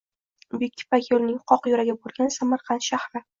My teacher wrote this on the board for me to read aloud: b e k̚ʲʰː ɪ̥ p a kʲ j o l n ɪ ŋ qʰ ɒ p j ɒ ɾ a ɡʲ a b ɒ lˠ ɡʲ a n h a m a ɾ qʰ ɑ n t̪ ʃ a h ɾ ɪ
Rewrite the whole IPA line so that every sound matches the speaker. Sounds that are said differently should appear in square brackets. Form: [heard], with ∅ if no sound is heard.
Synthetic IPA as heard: b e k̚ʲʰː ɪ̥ p a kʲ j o l n ɪ ŋ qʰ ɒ [q] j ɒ ɾ a ɡʲ a b [o] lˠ ɡʲ a n [s] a m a ɾ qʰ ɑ n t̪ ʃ a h ɾ ɪ

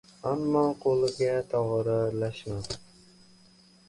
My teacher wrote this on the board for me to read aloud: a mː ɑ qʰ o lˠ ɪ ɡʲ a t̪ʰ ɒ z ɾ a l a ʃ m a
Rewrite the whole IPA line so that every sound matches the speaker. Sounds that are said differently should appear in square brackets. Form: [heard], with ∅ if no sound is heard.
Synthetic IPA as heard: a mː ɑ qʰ o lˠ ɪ ɡʲ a t̪ʰ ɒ [ʁ] ɾ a l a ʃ m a

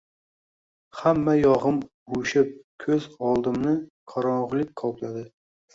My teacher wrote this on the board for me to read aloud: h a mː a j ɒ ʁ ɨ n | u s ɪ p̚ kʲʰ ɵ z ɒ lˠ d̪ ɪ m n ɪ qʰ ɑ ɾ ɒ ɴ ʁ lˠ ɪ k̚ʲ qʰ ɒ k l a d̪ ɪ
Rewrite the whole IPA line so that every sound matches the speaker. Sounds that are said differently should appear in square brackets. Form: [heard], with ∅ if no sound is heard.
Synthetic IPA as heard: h a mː a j ɒ ʁ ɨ [m] | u [ʃ] ɪ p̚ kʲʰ ɵ z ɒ lˠ d̪ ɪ m n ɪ qʰ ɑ ɾ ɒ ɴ ʁ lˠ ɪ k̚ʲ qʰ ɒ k l a d̪ ɪ

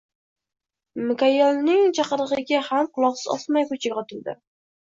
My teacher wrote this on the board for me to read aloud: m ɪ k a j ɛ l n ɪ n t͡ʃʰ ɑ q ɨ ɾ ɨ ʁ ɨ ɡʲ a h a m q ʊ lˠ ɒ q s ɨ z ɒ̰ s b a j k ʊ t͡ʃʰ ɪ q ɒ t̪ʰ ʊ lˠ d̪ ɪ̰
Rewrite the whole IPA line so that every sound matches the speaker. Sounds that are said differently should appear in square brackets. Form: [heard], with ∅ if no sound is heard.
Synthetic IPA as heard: m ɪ k a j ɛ l n ɪ [ŋ] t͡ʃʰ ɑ q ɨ ɾ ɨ ʁ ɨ ɡʲ a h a m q ʊ lˠ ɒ q s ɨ z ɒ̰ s [m] a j k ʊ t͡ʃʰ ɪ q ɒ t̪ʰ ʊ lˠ d̪ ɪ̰

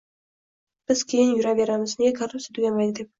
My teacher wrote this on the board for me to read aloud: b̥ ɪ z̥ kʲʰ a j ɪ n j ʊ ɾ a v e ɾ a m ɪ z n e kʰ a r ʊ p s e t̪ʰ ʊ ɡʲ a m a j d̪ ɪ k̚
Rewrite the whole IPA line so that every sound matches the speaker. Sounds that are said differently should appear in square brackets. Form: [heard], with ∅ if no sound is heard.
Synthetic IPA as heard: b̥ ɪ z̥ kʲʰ [e] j ɪ n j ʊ ɾ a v e ɾ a m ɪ z n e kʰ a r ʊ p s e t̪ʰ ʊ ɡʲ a m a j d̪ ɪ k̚

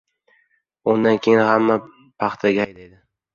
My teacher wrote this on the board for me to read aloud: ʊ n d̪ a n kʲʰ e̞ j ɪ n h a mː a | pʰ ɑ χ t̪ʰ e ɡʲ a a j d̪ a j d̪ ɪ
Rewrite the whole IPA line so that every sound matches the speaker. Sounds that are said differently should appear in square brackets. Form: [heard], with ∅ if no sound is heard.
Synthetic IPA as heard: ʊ n d̪ a n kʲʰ e̞ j ɪ n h a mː a | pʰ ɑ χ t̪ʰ [a] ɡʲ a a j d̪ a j d̪ ɪ

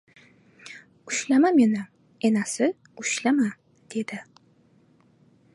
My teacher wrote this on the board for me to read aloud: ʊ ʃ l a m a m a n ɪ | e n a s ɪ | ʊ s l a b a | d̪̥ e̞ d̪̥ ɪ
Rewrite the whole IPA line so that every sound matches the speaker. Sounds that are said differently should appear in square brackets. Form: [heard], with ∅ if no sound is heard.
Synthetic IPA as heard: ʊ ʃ l a m a m [e] n ɪ | e n a s ɪ | ʊ [ʃ] l a [m] a | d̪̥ e̞ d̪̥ ɪ

